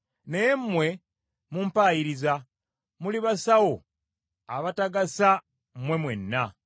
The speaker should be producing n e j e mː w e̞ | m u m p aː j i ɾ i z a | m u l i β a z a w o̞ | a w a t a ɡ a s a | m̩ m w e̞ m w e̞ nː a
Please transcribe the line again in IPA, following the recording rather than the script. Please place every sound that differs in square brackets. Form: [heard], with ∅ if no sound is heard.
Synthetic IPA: n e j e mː w e̞ | m u m p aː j i ɾ i z a | m u l i β a [s] a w o̞ | a [β] a t a ɡ a s a | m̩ m w e̞ m w e̞ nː a